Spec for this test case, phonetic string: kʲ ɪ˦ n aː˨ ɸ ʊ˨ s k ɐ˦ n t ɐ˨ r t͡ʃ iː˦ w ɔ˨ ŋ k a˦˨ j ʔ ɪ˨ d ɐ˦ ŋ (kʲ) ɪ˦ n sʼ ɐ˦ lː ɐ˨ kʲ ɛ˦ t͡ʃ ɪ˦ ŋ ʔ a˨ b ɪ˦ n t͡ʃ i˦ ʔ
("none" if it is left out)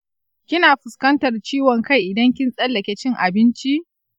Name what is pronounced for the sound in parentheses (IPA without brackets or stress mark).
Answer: kʲ